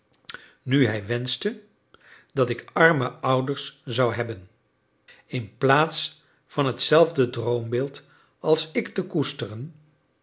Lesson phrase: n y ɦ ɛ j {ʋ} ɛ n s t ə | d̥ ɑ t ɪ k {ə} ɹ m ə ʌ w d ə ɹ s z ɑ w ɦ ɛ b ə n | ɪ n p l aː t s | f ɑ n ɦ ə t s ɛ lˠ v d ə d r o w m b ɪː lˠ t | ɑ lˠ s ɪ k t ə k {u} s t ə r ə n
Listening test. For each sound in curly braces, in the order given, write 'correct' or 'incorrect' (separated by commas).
correct, incorrect, correct